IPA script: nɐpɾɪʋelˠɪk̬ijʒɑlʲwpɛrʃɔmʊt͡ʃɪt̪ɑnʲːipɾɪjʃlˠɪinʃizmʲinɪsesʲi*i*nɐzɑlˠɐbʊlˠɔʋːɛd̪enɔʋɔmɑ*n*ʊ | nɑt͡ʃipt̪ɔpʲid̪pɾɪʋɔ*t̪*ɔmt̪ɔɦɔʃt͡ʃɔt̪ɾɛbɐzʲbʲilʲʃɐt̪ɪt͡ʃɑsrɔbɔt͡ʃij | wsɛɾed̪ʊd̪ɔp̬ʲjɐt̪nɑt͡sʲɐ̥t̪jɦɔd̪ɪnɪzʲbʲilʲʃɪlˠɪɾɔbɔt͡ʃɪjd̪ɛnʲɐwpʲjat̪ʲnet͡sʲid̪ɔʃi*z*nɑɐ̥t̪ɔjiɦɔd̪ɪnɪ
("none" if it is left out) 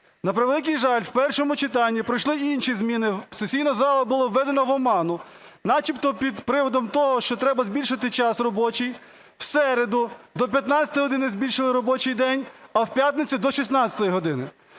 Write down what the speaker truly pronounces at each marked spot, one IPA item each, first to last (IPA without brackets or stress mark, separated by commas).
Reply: j, n, d̪, s